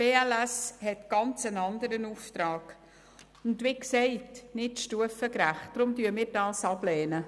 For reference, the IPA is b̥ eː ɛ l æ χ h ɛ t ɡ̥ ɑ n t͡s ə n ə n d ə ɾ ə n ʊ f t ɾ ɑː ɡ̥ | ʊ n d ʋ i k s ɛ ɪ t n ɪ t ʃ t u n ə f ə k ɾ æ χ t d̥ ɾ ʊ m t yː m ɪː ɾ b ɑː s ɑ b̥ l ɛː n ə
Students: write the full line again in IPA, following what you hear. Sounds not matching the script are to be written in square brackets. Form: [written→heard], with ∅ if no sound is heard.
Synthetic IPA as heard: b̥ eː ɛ l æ [χ→s] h ɛ t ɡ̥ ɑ n t͡s ə n [ə→ɑ] n d ə ɾ ə n [ʊ→u] f t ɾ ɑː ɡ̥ | ʊ n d ʋ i k s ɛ ɪ t n ɪ t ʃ t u [n→∅] ə f ə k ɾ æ χ t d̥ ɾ ʊ m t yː m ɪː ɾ [b→d] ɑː s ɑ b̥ l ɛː n ə